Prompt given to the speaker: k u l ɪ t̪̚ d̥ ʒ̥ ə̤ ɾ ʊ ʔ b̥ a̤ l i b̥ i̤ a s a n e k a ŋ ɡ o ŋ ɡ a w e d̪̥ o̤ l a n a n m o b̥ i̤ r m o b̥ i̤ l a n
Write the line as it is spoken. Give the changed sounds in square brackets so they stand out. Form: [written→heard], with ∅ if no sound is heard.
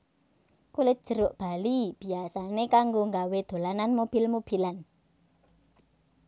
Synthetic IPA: k u l ɪ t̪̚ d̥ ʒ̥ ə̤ ɾ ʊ ʔ b̥ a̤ l i b̥ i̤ a s a n e k a ŋ ɡ o ŋ ɡ a w e d̪̥ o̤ l a n a n m o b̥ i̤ [r→l] m o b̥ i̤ l a n